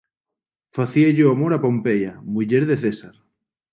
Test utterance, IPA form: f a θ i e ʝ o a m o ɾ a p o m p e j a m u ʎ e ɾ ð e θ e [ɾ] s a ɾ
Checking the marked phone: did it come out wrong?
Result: yes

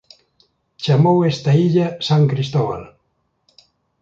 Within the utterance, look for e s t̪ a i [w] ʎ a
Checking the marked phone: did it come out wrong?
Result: yes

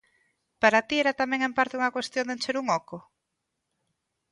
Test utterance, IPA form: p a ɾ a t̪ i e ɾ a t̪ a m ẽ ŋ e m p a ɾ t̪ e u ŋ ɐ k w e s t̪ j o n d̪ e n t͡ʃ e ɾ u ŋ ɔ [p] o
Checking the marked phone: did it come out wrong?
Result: yes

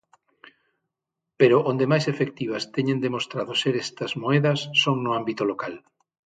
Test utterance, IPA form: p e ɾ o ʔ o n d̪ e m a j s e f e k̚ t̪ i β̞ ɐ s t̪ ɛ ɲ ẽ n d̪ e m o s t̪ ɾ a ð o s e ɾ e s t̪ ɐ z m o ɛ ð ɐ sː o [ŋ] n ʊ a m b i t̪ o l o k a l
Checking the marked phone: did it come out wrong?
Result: no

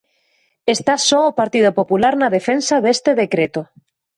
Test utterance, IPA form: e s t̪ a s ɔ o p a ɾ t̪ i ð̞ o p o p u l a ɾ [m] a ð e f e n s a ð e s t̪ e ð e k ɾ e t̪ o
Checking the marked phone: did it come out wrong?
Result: yes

